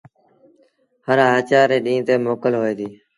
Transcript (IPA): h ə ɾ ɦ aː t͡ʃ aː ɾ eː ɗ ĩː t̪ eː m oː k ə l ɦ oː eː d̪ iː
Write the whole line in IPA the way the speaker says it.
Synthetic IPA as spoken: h ə ɾ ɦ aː t͡ʃ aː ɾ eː ɗ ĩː t̪ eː m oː k ə l ɦ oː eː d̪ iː